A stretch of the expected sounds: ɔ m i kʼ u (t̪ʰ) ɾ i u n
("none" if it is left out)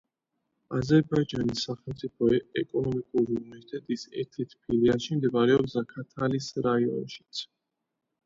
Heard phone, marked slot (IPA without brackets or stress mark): none